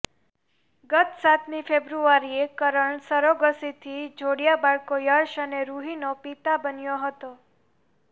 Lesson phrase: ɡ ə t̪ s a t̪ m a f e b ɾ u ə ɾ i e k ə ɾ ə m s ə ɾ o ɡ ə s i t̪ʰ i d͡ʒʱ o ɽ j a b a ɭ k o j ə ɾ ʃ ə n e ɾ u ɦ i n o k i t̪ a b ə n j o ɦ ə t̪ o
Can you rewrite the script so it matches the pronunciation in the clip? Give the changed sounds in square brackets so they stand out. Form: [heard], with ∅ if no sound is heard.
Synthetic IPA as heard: ɡ ə t̪ s a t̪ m [i] f e b ɾ u [a] ɾ i e k ə ɾ ə [ɳ] s ə ɾ o ɡ ə s i t̪ʰ i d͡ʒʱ o ɽ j a b a ɭ k o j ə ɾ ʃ ə n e ɾ u ɦ i n o [p] i t̪ a b ə n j o ɦ ə t̪ o